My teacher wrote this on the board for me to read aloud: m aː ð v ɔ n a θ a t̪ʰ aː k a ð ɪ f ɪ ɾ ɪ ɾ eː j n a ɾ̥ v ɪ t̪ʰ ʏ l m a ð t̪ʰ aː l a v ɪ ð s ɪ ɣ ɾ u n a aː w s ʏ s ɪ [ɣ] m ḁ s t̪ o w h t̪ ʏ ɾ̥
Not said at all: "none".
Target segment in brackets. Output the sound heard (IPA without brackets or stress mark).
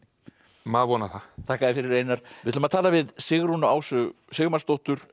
ɣ